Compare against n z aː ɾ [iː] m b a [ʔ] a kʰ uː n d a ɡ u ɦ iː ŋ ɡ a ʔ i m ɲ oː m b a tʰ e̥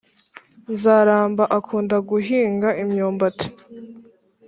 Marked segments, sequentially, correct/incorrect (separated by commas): incorrect, correct